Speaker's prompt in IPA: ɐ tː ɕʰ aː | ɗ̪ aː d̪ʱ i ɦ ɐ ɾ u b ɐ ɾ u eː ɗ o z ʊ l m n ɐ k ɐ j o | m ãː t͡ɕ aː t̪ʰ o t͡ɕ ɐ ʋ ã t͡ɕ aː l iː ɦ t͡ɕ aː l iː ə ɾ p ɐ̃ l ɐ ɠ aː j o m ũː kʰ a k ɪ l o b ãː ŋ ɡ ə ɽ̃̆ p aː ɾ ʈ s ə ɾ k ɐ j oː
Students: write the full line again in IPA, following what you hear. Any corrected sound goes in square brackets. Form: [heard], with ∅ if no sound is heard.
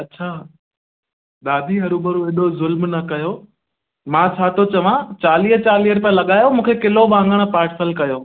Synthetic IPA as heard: ɐ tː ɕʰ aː | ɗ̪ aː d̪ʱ i ɦ ɐ ɾ u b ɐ ɾ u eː ɗ o z ʊ l m n ɐ k ɐ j o | m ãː [t͡ɕʰ] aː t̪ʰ o t͡ɕ ɐ ʋ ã t͡ɕ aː l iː ɦ t͡ɕ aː l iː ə ɾ p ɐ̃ l ɐ ɠ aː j o m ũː kʰ [e] k ɪ l o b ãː ŋ ɡ ə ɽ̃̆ p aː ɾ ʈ s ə [l] k ɐ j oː